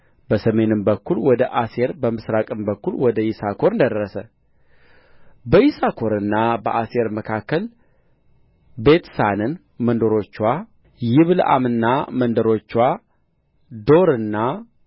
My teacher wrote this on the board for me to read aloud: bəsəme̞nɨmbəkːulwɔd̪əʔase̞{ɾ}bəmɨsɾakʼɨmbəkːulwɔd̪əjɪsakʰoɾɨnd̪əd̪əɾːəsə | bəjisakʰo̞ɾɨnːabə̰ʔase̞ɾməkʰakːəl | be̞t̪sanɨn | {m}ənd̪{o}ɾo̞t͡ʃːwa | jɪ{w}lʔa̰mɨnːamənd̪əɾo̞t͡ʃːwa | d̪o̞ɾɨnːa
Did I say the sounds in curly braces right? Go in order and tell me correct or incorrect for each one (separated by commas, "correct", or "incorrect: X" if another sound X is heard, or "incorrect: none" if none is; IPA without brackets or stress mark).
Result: correct, correct, correct, incorrect: β